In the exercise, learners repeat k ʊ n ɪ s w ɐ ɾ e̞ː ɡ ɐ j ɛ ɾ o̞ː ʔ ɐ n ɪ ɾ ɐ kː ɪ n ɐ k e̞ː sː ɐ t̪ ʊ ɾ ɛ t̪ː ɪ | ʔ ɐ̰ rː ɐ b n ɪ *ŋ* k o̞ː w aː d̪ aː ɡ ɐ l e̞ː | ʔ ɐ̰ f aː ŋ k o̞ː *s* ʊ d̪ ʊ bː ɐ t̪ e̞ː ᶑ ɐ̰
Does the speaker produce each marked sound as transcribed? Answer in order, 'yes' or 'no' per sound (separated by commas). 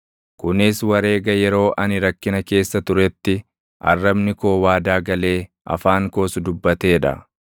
no, yes